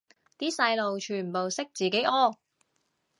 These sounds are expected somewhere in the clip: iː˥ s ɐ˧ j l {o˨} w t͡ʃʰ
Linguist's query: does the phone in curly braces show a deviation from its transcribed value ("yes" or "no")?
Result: no